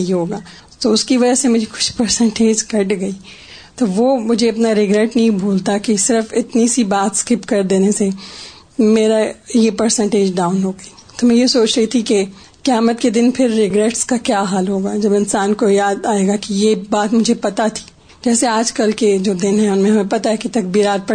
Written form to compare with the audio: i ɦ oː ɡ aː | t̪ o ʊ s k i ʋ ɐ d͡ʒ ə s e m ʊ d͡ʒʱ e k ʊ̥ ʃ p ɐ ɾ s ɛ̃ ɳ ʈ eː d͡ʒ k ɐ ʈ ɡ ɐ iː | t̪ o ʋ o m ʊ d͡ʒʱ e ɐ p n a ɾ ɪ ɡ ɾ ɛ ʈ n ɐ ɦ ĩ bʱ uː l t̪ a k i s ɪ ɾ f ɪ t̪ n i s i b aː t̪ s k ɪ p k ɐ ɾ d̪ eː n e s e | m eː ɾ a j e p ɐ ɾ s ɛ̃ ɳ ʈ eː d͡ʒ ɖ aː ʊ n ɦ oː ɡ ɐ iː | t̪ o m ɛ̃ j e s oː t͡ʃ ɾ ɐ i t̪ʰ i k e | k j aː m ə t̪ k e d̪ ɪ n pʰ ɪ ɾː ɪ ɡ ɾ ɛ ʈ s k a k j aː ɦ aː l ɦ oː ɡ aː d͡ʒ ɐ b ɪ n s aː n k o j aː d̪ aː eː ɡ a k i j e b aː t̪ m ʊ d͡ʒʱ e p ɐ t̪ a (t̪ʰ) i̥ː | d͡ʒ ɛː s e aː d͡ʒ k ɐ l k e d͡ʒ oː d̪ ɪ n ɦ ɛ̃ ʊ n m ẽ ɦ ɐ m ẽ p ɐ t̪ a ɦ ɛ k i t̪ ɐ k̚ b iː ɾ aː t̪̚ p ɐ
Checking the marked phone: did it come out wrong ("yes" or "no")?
no